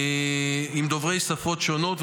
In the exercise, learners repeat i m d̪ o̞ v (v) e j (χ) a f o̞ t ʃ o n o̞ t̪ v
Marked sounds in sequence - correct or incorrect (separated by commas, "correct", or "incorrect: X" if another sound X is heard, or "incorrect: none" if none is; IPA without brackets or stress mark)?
incorrect: ʁ, incorrect: s